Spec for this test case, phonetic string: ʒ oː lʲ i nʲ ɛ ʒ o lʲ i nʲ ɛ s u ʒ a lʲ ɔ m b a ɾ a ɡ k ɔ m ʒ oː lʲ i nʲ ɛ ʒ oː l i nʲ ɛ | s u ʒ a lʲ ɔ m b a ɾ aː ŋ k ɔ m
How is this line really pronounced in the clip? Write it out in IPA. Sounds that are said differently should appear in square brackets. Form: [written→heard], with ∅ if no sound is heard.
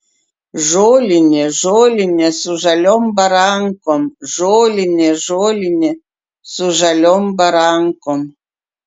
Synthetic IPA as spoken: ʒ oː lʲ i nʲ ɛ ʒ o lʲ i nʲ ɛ s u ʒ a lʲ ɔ m b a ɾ a [ɡ→ŋ] k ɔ m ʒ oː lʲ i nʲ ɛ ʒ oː l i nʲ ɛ | s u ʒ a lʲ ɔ m b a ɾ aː ŋ k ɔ m